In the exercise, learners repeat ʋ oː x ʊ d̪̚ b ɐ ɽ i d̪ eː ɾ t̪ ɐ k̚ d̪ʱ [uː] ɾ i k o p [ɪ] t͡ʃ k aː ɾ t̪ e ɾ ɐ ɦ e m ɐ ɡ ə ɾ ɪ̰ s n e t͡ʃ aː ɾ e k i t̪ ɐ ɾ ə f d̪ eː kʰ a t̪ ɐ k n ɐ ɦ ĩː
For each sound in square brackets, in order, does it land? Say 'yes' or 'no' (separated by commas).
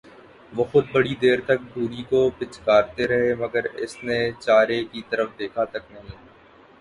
yes, yes